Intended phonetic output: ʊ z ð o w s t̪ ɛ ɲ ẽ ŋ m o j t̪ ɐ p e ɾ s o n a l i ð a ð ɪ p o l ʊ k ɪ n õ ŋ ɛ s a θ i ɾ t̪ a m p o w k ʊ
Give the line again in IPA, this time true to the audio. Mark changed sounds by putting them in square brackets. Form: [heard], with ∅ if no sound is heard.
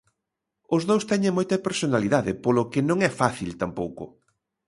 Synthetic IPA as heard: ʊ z ð o w s t̪ ɛ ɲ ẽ ŋ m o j t̪ ɐ p e ɾ s o n a l i ð a ð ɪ p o l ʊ k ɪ n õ ŋ ɛ [f] a θ i [l] t̪ a m p o w k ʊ